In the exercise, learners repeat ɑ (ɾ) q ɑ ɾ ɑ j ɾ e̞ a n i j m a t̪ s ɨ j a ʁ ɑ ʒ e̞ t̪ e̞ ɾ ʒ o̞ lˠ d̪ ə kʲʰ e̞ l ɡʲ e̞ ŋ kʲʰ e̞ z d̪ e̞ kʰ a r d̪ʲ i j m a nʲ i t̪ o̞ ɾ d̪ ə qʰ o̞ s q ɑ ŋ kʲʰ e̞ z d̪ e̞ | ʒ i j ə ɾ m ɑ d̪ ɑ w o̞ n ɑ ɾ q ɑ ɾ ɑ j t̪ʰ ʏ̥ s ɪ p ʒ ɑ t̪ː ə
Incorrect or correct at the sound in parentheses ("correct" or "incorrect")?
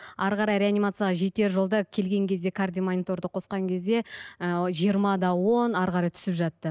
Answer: correct